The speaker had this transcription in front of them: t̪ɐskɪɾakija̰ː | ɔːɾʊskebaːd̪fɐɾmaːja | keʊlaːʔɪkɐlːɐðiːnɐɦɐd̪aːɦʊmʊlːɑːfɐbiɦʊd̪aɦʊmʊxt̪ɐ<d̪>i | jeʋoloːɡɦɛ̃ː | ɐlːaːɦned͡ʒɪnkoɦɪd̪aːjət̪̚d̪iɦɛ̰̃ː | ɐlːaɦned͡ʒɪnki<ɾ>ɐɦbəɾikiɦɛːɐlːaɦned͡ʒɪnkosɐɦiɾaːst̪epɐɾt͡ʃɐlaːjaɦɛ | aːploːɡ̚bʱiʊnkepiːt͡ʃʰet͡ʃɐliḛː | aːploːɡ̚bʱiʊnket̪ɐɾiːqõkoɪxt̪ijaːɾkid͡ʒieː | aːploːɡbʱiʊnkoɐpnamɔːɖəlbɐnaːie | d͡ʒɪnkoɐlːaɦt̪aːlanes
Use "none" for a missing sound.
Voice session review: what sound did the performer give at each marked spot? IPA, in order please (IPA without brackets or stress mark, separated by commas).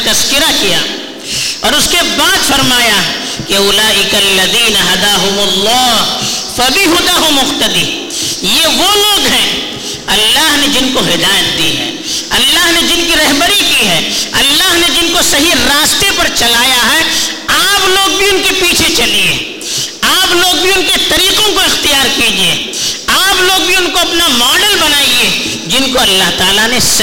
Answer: d̪, ɾ